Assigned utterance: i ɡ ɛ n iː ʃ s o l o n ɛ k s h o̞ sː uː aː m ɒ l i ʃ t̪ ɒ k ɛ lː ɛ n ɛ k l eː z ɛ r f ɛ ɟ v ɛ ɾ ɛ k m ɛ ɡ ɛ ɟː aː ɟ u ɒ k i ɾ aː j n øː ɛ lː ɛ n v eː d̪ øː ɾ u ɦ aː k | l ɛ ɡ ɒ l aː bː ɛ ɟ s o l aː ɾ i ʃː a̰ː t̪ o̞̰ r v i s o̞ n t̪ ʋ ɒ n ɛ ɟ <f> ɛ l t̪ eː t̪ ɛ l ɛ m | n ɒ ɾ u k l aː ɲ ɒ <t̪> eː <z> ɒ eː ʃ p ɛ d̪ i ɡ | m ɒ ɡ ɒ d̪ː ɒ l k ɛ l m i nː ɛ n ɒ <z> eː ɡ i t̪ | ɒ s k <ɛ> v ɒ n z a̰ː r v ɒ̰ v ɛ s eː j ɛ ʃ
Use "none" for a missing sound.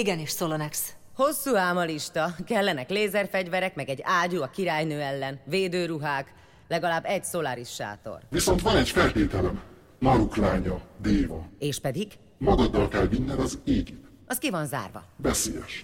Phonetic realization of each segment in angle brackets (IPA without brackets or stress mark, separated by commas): f, d̪, v, z, i